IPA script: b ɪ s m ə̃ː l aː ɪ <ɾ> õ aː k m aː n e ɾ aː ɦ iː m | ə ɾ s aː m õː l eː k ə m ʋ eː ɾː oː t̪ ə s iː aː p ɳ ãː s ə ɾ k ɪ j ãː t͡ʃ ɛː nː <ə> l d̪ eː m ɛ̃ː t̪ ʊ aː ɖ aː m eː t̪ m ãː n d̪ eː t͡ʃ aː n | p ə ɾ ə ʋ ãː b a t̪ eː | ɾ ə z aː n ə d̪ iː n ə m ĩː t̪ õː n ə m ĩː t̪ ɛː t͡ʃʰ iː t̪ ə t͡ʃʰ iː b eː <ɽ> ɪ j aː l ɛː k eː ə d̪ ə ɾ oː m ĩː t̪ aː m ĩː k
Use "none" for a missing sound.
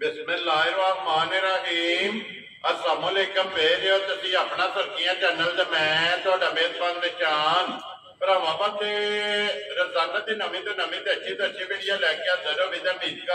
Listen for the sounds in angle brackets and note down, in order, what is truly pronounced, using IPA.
ɾ, ə, ɽ

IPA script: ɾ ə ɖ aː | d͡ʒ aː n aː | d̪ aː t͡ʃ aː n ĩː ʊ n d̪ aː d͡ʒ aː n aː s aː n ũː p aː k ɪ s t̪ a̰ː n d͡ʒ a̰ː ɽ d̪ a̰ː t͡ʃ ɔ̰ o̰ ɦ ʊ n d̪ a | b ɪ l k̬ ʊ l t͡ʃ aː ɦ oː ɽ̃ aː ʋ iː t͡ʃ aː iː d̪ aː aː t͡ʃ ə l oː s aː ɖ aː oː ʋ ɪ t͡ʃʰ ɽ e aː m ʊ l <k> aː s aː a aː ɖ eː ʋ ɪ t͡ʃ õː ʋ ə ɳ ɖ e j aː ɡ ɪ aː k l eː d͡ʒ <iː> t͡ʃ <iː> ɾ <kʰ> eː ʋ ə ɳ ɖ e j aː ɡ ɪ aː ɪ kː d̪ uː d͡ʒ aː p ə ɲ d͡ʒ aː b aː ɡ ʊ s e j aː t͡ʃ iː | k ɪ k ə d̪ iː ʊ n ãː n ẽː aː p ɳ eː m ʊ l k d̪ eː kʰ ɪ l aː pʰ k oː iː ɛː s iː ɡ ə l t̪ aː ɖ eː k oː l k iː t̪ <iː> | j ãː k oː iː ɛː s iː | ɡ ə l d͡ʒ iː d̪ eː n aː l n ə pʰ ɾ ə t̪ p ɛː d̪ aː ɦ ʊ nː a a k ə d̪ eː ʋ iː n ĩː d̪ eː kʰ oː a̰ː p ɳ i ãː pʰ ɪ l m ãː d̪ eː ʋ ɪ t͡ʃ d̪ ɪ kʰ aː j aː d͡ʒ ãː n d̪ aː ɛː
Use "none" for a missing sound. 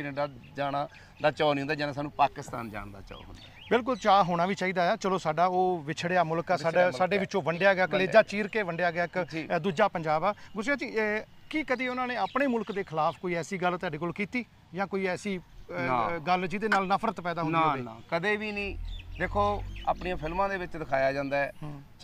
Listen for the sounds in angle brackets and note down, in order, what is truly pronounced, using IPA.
k, aː, iː, k, iː

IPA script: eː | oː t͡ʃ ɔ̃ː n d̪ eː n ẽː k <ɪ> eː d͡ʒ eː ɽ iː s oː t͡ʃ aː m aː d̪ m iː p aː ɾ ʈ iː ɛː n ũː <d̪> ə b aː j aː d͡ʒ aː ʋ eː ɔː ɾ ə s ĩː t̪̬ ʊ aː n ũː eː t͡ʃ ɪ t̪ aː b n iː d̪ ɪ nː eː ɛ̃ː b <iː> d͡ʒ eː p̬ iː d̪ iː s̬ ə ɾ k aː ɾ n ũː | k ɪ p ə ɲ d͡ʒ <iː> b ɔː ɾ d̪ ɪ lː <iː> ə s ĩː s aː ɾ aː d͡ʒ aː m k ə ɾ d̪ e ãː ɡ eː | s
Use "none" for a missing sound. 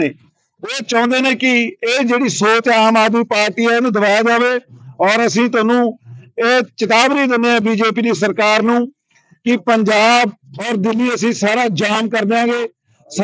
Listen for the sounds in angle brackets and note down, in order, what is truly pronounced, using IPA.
ɪ, d̪, iː, aː, iː

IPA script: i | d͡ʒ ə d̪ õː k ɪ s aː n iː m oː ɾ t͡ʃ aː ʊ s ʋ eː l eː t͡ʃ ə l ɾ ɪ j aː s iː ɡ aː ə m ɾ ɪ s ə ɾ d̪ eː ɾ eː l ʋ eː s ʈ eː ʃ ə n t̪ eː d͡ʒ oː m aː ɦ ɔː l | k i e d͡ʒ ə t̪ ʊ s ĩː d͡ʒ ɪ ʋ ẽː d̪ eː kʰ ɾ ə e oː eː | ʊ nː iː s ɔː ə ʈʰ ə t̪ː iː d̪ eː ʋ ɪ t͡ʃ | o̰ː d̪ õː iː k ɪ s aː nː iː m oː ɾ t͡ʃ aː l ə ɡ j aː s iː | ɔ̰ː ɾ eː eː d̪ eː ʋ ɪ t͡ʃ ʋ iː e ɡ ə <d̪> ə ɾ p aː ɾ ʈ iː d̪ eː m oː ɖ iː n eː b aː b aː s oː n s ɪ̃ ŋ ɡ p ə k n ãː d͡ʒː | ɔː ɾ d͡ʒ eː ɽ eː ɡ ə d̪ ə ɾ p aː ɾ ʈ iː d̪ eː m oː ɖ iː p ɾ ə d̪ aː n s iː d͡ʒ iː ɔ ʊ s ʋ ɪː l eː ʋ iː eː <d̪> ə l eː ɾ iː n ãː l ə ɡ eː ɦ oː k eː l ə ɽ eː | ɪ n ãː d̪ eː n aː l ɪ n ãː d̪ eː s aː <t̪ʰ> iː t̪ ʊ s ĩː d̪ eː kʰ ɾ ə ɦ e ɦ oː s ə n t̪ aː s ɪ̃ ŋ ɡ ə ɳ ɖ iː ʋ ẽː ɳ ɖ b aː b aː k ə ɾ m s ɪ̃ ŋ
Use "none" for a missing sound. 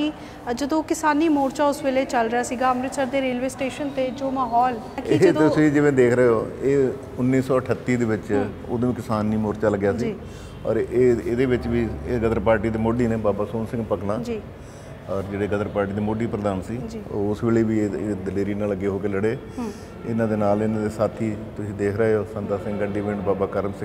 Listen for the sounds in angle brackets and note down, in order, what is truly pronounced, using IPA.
d̪, d̪, t̪ʰ

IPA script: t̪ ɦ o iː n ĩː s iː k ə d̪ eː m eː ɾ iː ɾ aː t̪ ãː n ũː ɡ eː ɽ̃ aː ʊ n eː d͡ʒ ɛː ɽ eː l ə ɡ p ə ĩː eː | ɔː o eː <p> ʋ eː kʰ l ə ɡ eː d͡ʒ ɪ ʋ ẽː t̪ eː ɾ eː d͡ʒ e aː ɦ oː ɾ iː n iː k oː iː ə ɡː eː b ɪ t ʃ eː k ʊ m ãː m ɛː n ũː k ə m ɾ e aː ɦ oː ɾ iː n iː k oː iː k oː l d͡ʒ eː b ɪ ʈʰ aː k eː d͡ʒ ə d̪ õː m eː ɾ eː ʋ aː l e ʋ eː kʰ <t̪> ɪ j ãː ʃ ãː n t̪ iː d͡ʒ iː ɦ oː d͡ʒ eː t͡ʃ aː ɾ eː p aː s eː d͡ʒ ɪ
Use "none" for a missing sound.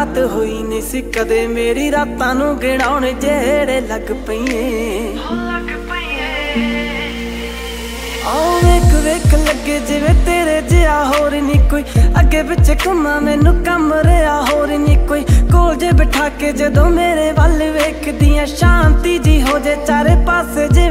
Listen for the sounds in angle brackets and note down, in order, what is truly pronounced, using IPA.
k, d̪

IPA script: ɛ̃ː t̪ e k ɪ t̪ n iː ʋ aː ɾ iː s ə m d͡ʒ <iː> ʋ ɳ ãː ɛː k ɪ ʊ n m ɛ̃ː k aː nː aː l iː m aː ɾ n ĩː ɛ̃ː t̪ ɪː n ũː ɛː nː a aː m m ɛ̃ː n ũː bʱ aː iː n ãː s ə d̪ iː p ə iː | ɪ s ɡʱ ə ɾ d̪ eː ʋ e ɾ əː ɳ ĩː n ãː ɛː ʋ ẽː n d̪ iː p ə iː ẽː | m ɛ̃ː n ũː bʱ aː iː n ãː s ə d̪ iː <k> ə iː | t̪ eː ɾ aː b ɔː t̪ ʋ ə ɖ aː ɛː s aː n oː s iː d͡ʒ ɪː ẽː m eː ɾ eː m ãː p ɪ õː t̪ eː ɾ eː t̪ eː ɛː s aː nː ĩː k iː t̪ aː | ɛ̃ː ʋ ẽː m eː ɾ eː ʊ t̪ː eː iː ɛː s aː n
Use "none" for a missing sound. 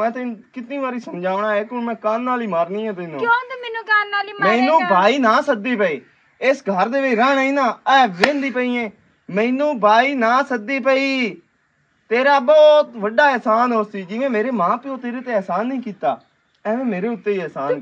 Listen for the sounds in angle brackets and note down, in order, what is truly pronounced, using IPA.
aː, p

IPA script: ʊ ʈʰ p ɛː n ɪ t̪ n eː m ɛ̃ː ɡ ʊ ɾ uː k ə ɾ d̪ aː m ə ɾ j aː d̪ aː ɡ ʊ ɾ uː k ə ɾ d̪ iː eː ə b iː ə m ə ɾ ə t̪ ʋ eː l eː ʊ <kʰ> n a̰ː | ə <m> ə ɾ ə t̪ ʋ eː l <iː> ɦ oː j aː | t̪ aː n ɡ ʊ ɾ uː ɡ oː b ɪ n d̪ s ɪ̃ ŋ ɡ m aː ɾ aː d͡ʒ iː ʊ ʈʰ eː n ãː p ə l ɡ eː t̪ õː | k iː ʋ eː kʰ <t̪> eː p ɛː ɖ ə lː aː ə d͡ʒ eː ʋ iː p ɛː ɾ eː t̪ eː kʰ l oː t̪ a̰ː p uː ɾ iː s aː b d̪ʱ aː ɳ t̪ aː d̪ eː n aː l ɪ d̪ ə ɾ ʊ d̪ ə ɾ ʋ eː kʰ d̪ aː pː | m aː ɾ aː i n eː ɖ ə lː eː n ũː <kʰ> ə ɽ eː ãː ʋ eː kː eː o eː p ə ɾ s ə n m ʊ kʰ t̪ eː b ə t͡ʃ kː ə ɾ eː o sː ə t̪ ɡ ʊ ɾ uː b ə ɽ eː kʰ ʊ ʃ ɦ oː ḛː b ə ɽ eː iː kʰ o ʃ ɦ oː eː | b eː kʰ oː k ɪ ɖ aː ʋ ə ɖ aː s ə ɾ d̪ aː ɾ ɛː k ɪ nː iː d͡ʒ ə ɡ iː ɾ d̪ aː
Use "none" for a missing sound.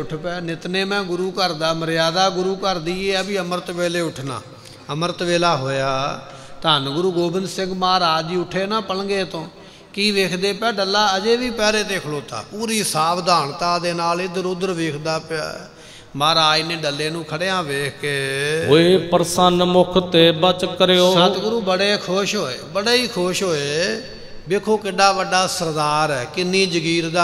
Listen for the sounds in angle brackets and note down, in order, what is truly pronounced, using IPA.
ʈʰ, m, aː, d̪, kʰ

